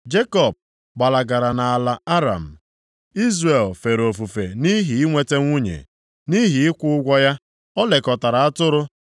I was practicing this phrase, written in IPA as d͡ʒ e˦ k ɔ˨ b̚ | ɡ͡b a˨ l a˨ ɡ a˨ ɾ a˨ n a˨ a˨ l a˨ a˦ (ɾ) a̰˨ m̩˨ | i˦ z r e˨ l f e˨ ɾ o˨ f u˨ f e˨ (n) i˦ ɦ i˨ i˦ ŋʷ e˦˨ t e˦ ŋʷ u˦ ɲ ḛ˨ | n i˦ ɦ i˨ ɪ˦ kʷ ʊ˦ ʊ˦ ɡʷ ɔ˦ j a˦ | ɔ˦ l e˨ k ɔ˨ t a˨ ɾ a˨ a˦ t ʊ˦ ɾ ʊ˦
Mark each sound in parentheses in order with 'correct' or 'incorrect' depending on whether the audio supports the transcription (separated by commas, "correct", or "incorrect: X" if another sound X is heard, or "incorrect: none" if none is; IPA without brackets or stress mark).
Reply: correct, correct